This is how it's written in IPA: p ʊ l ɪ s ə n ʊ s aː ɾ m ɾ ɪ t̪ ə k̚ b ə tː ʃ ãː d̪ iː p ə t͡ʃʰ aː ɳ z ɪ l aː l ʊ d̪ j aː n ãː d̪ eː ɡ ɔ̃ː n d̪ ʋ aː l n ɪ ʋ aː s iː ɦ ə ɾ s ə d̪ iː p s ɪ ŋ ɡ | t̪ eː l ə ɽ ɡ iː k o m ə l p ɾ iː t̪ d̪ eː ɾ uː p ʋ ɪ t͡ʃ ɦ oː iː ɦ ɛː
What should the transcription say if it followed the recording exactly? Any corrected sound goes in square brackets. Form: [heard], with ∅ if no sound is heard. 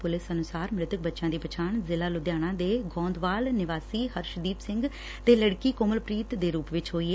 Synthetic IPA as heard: p ʊ l ɪ s ə n ʊ s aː ɾ m ɾ ɪ t̪ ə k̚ b ə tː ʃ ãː d̪ iː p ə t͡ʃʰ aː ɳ z ɪ l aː l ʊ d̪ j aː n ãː d̪ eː ɡ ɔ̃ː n d̪ ʋ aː l n ɪ ʋ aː s iː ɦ ə ɾ [ʃ] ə d̪ iː p s ɪ ŋ ɡ | t̪ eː l ə ɽ [k] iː k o m ə l p ɾ iː t̪ d̪ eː ɾ uː p ʋ ɪ t͡ʃ ɦ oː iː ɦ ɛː